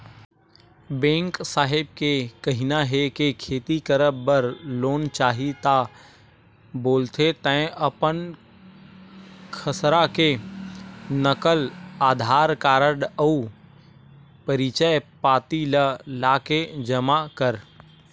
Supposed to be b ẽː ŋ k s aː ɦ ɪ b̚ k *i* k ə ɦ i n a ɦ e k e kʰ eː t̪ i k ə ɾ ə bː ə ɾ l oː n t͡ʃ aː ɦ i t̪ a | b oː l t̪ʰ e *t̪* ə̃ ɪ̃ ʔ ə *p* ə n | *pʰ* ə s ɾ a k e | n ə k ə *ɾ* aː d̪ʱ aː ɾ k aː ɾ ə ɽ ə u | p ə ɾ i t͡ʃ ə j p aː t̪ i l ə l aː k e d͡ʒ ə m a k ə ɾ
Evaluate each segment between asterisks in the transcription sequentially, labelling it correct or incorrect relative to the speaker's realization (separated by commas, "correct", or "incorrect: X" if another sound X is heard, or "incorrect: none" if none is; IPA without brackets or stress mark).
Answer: incorrect: e, correct, correct, incorrect: kʰ, incorrect: l